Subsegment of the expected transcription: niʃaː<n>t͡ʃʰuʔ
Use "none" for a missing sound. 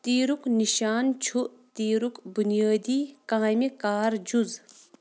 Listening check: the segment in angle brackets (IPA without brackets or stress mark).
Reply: n